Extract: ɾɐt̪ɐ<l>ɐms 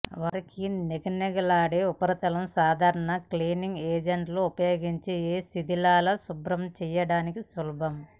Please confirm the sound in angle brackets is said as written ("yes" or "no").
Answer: yes